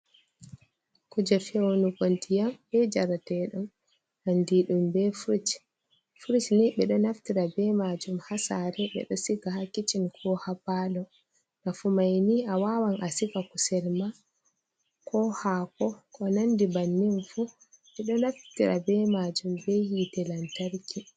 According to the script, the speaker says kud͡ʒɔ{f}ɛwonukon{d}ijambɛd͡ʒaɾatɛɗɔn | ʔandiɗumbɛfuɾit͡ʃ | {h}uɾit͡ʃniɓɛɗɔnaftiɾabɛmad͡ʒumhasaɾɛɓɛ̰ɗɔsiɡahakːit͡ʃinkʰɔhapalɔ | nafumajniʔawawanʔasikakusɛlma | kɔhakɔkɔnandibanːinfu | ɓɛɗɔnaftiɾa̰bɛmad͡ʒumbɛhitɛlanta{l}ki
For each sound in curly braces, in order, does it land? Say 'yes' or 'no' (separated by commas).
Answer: yes, no, no, no